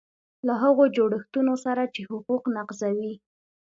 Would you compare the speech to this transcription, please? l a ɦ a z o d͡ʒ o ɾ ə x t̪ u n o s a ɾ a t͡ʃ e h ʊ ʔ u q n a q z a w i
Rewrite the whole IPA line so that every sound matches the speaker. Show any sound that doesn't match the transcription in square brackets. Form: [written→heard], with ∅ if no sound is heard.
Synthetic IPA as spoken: l a ɦ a [z→ɣ] o d͡ʒ o [ɾ→ɽ] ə x t̪ u n o s a ɾ a t͡ʃ e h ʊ [ʔ→q] u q n a q z a w i